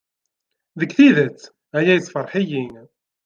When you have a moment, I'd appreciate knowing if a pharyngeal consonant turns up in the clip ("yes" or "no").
yes